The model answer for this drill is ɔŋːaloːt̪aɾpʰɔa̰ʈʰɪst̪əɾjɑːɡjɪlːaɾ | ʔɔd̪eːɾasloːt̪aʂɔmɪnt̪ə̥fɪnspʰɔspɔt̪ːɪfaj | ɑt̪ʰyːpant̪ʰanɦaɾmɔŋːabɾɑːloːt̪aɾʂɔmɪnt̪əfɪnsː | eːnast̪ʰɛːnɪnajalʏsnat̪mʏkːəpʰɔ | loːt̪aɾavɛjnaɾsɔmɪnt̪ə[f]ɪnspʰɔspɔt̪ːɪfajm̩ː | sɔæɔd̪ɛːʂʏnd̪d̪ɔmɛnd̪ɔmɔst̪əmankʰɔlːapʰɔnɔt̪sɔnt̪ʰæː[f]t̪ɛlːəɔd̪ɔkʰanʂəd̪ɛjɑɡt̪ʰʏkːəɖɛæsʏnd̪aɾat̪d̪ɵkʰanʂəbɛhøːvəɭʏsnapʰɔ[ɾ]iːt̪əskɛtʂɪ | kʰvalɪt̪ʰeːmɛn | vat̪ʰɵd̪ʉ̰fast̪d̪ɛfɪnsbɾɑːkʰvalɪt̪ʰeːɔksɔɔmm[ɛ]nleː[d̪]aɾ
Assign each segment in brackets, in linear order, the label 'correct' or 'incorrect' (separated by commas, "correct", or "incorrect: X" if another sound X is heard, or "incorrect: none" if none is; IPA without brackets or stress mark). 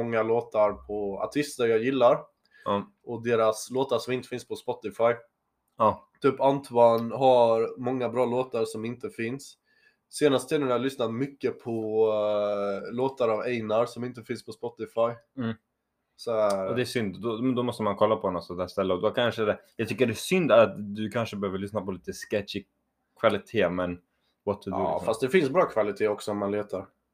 correct, incorrect: ʂ, incorrect: l, incorrect: a, incorrect: t̪